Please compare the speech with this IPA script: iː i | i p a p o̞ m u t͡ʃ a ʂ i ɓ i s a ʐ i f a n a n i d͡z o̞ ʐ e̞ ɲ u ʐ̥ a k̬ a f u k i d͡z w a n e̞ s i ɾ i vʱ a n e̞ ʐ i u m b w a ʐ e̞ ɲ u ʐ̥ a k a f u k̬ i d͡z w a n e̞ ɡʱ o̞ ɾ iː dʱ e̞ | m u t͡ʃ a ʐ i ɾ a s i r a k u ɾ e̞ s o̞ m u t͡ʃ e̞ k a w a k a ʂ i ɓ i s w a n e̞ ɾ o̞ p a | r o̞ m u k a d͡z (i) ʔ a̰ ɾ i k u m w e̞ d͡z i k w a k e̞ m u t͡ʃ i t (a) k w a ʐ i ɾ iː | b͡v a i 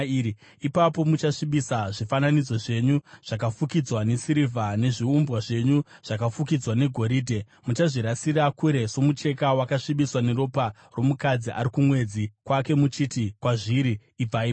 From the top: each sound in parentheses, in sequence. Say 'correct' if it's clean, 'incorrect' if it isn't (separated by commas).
correct, incorrect